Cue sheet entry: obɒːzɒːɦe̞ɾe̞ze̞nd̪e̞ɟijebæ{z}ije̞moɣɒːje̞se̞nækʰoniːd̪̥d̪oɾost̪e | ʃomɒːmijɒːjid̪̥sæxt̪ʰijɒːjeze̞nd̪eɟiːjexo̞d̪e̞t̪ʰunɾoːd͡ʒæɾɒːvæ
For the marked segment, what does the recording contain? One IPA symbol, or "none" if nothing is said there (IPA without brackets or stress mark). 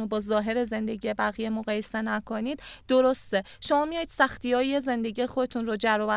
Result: ɣ